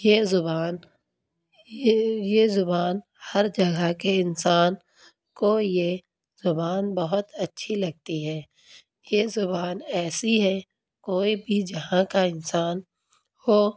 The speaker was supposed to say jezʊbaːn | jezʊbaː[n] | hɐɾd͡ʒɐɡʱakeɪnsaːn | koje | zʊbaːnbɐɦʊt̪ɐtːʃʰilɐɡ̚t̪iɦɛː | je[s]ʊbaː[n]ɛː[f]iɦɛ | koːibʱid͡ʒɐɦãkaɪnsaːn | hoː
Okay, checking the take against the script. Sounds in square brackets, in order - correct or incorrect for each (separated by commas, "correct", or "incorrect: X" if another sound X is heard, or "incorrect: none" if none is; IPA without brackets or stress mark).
correct, incorrect: z, correct, incorrect: s